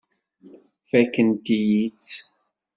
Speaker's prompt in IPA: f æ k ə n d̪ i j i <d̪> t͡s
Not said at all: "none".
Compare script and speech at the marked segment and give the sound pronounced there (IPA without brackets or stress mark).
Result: none